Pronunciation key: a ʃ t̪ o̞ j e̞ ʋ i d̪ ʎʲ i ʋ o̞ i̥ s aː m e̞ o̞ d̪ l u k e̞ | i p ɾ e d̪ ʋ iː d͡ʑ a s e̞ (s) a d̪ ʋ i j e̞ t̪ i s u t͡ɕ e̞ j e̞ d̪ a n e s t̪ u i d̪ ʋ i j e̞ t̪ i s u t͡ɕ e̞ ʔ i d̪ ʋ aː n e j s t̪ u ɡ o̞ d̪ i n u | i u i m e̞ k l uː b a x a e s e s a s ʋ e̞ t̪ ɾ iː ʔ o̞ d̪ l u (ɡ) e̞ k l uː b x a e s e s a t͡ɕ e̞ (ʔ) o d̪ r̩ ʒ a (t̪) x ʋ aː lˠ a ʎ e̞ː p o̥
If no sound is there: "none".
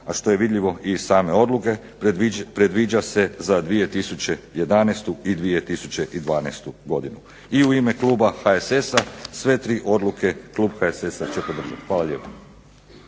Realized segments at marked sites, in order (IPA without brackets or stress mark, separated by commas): z, k, p, t̪